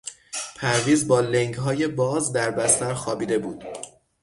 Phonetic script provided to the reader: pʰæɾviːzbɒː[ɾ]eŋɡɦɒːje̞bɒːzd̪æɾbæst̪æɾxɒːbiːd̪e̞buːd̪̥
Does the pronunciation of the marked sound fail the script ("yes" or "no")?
yes